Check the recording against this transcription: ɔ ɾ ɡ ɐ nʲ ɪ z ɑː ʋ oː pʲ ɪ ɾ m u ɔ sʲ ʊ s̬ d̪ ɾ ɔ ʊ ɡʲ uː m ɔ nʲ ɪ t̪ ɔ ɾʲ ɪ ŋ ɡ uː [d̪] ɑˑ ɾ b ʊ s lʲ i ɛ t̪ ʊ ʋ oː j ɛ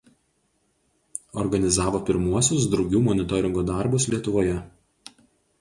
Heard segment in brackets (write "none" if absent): d̪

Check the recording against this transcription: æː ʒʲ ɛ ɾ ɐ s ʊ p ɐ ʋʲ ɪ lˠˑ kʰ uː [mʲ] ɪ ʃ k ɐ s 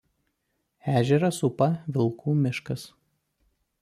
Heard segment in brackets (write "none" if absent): mʲ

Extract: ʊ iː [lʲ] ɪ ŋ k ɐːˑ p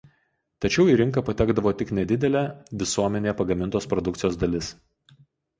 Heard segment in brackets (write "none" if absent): ɾʲ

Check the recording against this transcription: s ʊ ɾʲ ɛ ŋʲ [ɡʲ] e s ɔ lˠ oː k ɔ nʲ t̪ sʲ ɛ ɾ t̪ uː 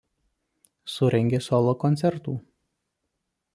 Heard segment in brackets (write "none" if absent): ɡʲ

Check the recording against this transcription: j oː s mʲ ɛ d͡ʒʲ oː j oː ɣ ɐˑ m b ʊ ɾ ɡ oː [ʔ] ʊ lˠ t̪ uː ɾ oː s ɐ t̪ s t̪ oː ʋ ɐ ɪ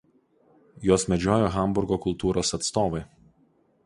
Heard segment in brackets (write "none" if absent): k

